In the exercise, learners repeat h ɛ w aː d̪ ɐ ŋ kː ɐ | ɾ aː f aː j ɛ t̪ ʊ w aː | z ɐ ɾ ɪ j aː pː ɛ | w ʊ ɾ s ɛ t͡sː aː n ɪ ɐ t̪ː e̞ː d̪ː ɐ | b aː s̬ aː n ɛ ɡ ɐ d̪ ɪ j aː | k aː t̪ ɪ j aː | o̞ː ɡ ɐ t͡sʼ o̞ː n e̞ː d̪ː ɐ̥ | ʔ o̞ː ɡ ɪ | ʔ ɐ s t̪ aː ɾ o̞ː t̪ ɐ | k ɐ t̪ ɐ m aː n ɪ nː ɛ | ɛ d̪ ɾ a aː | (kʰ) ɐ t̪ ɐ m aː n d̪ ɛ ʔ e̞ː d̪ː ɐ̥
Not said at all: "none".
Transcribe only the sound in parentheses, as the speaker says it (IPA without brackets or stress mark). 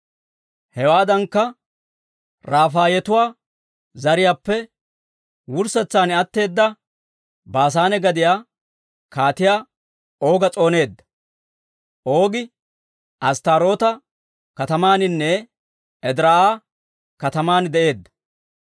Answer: k